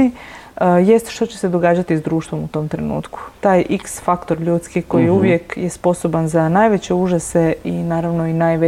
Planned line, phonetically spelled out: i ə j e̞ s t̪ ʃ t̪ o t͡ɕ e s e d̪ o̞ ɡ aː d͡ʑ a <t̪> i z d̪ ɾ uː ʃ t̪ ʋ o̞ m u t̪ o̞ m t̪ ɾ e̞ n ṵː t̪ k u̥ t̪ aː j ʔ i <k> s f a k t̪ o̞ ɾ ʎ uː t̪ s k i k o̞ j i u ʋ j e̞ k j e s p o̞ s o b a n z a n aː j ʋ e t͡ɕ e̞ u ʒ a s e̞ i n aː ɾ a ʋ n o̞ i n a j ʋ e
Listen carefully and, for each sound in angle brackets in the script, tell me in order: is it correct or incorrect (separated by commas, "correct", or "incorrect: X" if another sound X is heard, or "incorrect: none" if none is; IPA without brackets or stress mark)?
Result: correct, correct